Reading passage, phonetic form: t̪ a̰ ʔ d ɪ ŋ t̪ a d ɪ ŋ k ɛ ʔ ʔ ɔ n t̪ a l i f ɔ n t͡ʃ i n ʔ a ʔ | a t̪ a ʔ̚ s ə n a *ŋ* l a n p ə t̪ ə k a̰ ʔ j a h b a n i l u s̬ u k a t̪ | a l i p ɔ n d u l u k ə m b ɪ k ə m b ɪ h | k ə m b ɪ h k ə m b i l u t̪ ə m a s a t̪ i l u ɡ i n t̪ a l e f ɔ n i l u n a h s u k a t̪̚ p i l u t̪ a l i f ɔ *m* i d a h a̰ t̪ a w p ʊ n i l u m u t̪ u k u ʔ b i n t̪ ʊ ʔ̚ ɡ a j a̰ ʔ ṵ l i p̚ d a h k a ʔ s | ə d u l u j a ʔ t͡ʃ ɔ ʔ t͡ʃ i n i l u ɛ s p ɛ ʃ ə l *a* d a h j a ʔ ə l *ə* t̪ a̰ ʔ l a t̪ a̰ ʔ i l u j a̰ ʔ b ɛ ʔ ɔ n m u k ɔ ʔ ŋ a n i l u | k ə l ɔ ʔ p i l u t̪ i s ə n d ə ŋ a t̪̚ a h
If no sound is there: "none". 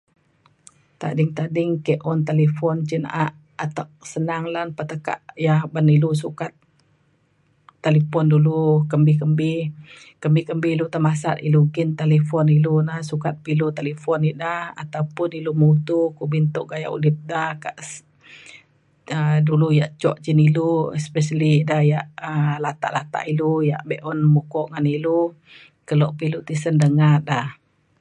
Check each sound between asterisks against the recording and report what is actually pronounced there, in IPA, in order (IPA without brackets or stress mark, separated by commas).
ŋ, n, i, a